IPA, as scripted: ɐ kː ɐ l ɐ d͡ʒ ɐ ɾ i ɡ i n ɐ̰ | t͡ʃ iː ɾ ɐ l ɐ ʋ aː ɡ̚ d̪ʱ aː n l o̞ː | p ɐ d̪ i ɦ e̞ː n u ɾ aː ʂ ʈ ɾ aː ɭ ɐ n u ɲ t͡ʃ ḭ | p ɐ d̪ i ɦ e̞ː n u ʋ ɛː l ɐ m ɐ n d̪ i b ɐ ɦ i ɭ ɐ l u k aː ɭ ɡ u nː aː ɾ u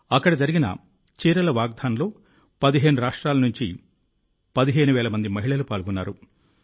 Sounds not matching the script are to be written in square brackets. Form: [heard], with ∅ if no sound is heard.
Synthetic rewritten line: ɐ kː ɐ [ɽ] ɐ d͡ʒ ɐ ɾ i ɡ i n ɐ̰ | t͡ʃ iː ɾ ɐ l ɐ ʋ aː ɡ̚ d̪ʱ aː n l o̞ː | p ɐ d̪ i ɦ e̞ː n u ɾ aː ʂ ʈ ɾ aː [l] ɐ n u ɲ t͡ʃ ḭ | p ɐ d̪ i ɦ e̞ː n u ʋ ɛː l ɐ m ɐ n d̪ i [m] ɐ ɦ i ɭ ɐ l u [p] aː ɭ ɡ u nː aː ɾ u